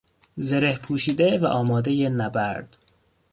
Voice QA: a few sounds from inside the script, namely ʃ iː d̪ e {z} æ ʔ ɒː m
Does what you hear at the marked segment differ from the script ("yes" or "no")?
yes